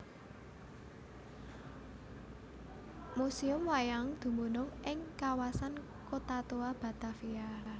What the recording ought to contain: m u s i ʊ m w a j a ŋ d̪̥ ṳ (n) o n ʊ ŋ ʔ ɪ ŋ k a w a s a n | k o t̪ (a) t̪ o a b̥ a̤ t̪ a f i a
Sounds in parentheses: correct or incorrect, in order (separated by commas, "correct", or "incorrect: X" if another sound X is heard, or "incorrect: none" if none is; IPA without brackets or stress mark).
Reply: incorrect: m, correct